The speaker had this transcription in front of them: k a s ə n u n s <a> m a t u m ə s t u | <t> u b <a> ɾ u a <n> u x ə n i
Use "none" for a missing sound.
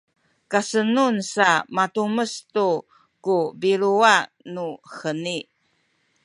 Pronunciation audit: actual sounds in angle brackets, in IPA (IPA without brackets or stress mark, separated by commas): a, k, i, n